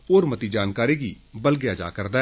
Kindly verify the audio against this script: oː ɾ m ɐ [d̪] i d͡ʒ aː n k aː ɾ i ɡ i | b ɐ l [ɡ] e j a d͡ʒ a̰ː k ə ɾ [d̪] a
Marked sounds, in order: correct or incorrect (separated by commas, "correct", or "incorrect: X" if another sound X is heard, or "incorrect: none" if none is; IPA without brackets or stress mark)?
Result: incorrect: t̪, correct, correct